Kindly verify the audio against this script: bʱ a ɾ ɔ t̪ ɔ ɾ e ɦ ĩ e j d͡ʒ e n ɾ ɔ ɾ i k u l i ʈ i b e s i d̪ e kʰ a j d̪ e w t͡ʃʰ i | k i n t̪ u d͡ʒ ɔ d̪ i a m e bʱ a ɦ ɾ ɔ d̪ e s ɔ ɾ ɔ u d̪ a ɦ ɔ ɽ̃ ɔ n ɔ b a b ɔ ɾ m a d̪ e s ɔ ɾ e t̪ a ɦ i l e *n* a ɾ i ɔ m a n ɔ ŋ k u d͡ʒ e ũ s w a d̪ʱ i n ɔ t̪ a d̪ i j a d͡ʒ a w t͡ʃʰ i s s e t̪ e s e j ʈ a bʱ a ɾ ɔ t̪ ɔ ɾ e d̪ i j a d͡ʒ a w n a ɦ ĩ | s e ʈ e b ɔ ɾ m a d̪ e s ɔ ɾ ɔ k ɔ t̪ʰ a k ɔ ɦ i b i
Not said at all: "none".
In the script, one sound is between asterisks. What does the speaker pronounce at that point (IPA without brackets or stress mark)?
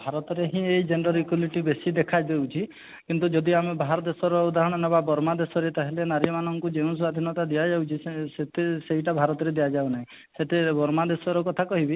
n